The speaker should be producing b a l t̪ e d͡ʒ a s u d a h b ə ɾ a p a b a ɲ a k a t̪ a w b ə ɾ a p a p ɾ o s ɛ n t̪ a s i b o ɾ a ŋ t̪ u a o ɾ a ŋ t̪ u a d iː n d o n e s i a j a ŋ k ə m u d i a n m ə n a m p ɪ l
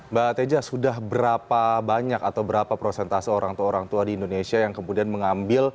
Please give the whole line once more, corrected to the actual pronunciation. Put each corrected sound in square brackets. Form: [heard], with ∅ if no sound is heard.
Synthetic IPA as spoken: b a [∅] t̪ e d͡ʒ a s u d a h b ə ɾ a p a b a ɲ a k a t̪ a w b ə ɾ a p a p ɾ o s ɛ n t̪ a s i [∅] o ɾ a ŋ t̪ u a o ɾ a ŋ t̪ u a d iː n d o n e s i a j a ŋ k ə m u d i a n m ə [ŋ] a m [b] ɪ l